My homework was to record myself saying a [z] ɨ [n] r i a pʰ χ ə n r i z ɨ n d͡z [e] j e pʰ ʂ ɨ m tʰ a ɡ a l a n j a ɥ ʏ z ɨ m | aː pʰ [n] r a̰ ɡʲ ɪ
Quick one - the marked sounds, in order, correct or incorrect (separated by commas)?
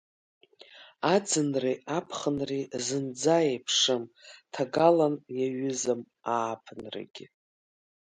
incorrect, correct, incorrect, correct